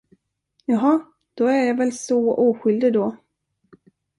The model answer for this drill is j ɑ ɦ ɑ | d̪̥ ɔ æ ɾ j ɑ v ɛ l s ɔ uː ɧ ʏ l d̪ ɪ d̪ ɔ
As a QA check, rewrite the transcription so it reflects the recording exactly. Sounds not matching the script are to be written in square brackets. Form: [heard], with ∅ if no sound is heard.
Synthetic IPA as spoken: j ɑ ɦ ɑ | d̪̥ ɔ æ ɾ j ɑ v ɛ l s ɔ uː ɧ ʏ l d̪ ɪ d̪ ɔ